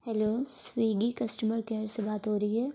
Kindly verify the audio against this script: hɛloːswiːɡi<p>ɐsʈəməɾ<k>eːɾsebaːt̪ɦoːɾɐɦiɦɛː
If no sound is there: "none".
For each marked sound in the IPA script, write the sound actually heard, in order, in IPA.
k, k

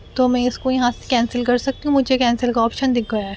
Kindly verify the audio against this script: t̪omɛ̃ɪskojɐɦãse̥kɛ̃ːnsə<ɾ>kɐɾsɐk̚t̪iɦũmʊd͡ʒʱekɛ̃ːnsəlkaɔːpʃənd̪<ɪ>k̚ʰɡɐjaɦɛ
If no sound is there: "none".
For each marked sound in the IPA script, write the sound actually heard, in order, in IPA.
l, ɪ

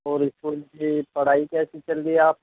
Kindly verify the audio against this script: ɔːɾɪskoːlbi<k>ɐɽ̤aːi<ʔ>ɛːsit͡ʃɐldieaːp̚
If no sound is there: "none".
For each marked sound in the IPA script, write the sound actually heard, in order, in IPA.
p, k

